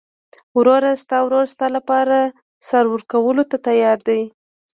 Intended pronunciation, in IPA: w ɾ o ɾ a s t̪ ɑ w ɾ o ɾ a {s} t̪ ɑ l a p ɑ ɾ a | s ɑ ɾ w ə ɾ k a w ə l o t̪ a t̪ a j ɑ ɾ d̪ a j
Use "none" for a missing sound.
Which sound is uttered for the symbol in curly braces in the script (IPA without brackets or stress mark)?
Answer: s